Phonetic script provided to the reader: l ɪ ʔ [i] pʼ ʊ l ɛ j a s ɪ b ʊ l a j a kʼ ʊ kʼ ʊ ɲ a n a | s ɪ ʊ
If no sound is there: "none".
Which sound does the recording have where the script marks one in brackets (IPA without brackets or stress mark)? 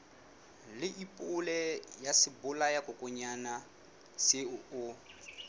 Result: i